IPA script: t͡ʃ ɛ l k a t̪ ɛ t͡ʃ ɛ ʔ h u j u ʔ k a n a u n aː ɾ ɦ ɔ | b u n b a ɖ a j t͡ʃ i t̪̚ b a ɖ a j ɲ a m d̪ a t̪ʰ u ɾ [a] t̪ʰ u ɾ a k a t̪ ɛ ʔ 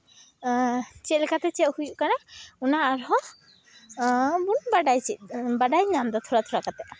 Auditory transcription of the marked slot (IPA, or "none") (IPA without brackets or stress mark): a